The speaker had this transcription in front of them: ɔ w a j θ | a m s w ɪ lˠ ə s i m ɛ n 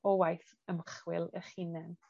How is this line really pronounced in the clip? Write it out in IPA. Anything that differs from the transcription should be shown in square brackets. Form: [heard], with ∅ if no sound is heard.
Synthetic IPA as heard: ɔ w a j θ | [ə] m [χ] w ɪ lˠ ə [χ] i [n] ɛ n